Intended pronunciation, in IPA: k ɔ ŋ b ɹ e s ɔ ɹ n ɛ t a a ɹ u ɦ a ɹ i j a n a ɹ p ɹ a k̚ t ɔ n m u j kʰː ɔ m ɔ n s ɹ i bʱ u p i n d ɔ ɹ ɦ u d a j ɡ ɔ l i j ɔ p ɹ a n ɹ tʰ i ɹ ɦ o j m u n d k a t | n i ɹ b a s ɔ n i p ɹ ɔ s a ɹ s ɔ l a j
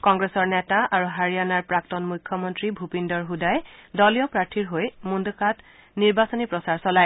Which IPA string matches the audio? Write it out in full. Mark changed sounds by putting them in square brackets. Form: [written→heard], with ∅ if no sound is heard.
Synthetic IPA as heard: k ɔ ŋ [b→ɡ] ɹ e s ɔ ɹ n ɛ t a a ɹ u ɦ a ɹ i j a n a ɹ p ɹ a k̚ t ɔ n m u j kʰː ɔ m ɔ n [s→t] ɹ i bʱ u p i n d ɔ ɹ ɦ u d a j [ɡ→d] ɔ l i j ɔ p ɹ a [n→∅] ɹ tʰ i ɹ ɦ o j m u n d k a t | n i ɹ b a s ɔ n i p ɹ ɔ s a ɹ s ɔ l a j